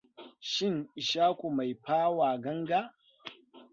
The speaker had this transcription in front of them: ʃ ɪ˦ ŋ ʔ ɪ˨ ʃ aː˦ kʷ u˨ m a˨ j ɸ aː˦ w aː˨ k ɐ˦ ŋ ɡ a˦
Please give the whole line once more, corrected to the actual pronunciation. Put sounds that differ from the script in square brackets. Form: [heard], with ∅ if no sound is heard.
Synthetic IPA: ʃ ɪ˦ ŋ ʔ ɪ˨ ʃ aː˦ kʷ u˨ m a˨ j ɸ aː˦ w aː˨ [ɡ] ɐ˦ ŋ ɡ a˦